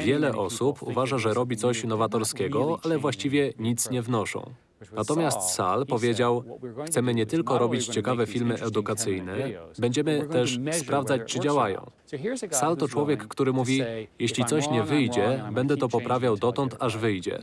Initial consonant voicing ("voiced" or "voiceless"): voiced